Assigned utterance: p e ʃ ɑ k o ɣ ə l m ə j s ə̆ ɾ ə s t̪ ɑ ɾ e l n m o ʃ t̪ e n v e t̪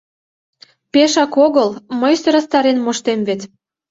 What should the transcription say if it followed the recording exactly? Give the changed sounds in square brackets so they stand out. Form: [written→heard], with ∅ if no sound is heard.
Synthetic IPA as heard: p e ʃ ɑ k o ɣ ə l m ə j s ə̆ ɾ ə s t̪ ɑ ɾ e [l→∅] n m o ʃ t̪ e [n→m] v e t̪